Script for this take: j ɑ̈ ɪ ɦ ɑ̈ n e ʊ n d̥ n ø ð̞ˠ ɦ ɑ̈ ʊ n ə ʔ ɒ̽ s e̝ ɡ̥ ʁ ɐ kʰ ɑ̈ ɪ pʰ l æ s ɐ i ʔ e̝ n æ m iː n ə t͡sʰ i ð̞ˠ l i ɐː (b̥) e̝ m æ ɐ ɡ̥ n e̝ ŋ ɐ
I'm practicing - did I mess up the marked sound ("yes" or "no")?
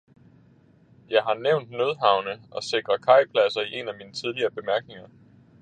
no